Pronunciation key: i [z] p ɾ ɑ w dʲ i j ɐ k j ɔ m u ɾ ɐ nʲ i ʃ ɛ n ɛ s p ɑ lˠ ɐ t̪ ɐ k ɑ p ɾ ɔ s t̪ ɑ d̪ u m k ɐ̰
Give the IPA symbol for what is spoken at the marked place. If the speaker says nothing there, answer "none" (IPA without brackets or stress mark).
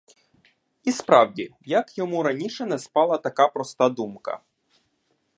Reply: s